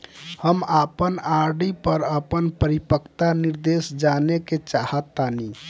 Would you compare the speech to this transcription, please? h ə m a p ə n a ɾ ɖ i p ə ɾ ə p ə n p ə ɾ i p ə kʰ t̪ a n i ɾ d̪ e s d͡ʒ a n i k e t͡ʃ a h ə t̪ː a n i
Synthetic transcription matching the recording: h ə m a p ə n a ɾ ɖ i p ə ɾ ə p ə n p ə ɾ i p ə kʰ t̪ a n i ɾ d̪ e s d͡ʒ a n e k e t͡ʃ a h ə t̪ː a n i

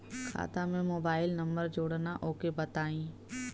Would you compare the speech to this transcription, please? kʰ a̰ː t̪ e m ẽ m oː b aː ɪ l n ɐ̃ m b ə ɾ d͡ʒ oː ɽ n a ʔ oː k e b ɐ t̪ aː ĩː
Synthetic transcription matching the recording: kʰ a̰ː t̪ a m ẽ m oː b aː ɪ l n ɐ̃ m b ə ɾ d͡ʒ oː ɽ n a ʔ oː k e b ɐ t̪ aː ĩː

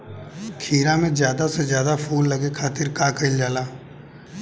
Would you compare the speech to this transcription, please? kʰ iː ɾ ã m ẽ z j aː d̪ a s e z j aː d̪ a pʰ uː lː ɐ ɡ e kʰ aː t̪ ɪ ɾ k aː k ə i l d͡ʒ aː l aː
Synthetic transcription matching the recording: kʰ iː ɾ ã m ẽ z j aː d̪ a s e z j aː d̪ a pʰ uː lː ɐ ɡ e kʰ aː t̪ ɪ ɾ k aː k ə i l d͡ʒ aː l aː

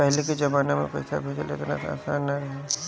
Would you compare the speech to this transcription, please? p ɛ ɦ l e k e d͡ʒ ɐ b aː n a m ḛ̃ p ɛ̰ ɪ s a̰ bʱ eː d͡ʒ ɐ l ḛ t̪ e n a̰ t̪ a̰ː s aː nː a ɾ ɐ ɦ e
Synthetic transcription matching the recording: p ɛ ɦ l e k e d͡ʒ ɐ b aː n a m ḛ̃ p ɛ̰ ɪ s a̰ bʱ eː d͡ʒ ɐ l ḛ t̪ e n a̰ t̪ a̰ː s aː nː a ɾ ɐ ɦ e

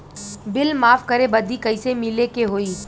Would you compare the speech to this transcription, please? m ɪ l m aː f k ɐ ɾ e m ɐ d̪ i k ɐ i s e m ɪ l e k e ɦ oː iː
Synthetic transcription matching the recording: b ɪ l m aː f k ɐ ɾ e b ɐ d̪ i k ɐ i s e m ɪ l e k e ɦ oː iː

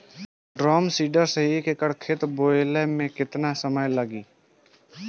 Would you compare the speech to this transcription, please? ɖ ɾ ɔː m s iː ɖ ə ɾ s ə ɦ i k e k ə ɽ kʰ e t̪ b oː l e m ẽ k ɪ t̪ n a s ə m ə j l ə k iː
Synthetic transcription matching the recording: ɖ ɾ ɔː m s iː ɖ ə ɾ s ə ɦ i k e k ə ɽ kʰ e t̪ b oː l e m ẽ k ɪ t̪ n a s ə m ə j l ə ɡ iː

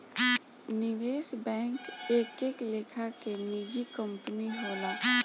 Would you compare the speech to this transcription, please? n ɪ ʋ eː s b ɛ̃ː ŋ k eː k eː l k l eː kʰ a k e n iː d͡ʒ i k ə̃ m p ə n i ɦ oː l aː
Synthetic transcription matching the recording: n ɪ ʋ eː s b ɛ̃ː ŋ k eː k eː k l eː kʰ a k e n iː d͡ʒ i k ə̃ m p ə n i ɦ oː l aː

